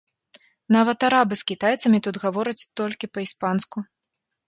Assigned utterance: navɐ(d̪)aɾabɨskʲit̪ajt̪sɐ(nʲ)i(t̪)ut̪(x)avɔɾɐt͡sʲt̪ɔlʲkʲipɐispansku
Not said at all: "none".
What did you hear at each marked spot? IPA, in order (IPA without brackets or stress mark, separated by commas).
t̪, mʲ, t̪, ɣ